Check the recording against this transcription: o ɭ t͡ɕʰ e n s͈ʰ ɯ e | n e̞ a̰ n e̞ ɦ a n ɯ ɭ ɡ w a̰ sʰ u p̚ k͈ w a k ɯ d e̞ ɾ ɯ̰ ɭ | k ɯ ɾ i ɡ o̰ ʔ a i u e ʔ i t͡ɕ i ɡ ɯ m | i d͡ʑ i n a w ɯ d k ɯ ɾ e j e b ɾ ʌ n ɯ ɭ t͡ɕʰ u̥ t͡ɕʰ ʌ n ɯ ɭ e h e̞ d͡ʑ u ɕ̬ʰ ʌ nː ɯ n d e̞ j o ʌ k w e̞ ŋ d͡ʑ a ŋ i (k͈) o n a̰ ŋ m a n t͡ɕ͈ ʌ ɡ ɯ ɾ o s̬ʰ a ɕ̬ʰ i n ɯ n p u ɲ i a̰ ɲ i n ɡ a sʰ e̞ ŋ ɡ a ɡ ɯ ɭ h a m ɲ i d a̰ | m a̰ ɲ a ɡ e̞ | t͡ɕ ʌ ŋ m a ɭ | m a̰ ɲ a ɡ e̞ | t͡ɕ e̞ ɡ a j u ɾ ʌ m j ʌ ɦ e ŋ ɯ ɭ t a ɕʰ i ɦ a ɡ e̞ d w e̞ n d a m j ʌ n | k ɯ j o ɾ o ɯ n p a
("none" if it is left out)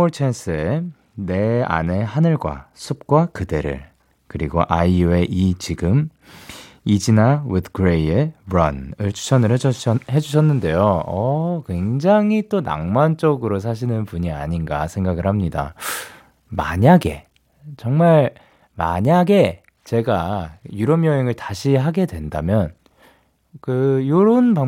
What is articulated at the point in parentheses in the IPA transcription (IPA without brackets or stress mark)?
t͈